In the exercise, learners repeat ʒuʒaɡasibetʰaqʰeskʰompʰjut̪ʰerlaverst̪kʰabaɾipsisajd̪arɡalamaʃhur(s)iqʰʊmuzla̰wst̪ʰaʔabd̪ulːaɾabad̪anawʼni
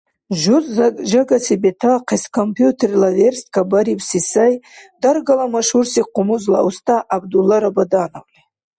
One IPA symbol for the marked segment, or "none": s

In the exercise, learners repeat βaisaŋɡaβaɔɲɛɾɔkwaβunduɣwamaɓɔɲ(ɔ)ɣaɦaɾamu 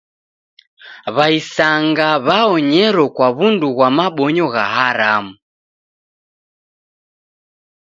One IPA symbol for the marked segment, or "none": ɔ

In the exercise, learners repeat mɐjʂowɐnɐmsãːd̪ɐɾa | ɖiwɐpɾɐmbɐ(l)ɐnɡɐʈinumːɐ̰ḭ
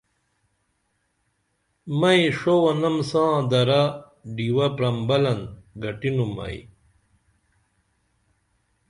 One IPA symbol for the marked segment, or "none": l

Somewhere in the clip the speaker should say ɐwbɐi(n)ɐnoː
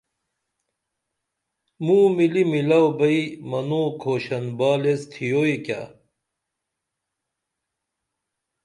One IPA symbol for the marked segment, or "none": m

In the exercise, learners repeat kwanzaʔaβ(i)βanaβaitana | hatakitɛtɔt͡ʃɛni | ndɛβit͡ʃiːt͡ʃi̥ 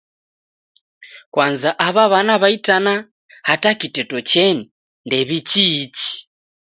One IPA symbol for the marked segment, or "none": a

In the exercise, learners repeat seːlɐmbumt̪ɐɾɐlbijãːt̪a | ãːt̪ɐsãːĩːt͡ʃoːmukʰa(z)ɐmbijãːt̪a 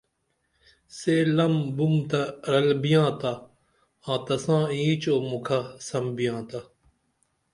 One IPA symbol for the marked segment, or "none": s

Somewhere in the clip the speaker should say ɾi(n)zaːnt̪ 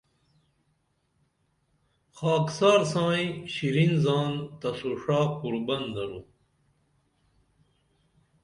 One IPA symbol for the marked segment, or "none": n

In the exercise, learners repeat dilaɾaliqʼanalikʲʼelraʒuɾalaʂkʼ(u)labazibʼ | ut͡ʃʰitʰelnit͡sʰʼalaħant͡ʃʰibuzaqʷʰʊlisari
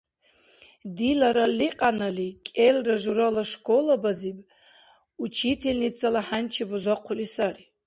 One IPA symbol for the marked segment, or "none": o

